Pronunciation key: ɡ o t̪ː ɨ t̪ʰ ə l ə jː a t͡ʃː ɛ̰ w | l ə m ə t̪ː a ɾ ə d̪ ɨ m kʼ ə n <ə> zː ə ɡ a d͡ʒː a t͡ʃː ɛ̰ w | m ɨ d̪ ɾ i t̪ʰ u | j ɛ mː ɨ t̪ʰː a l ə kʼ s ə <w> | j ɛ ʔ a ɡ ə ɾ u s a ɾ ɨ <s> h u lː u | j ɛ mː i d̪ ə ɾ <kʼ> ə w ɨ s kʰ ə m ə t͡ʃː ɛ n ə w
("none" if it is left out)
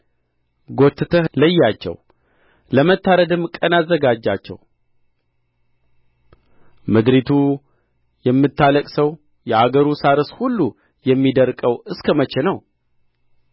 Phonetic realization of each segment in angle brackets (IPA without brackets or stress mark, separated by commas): a, w, s, kʼ